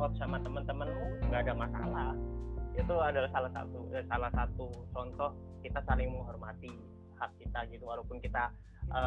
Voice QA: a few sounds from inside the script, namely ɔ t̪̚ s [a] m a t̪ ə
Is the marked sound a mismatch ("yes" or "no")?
no